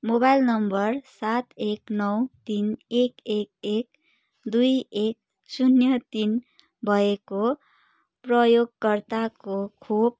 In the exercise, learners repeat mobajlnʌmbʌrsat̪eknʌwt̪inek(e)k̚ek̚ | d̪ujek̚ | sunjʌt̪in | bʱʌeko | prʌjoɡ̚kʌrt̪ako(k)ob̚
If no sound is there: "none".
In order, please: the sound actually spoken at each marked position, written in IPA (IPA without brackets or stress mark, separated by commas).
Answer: e, kʰ